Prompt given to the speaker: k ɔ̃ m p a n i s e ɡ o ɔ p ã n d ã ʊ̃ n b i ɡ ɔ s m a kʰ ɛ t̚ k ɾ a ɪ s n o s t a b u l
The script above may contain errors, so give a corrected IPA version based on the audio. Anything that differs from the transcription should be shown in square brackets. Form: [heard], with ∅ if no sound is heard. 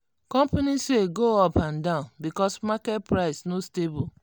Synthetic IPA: k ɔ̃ m p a n i s e ɡ o ɔ p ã n d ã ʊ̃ n b i [k] ɔ s m a [k] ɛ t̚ [p] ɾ a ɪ s n o s t [e] b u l